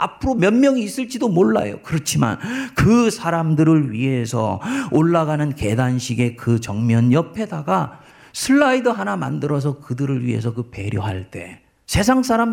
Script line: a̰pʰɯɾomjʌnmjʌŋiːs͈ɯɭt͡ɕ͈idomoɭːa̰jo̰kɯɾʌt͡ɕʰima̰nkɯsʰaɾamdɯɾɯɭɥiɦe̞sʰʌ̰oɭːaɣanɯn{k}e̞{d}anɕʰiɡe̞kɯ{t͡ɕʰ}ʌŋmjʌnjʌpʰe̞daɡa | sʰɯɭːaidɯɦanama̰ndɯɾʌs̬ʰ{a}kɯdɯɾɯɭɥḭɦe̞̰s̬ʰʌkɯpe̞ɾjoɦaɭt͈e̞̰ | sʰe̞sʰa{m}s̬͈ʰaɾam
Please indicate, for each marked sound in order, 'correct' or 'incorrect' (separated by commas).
correct, correct, incorrect, incorrect, incorrect